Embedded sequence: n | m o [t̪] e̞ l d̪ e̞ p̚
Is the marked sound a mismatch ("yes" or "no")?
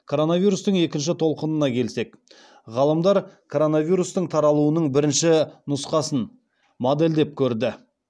yes